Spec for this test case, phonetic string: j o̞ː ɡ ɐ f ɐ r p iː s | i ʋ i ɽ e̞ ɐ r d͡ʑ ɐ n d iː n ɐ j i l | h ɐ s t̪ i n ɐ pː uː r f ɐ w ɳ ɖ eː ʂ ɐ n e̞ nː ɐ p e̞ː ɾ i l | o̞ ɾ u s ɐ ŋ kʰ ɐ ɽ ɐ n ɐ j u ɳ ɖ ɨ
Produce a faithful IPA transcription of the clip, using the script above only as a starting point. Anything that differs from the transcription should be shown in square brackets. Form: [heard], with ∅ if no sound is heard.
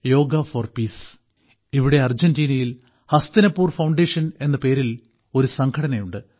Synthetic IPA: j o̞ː ɡ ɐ f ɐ r p iː s | i ʋ i ɽ e̞ ɐ r d͡ʑ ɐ n d iː n ɐ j i l | h ɐ s t̪ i n ɐ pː uː r f ɐ w ɳ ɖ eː ʂ ɐ n e̞ nː ɐ p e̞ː ɾ i l | o̞ ɾ u s ɐ ŋ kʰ ɐ ɽ ɐ n ɐ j u ɳ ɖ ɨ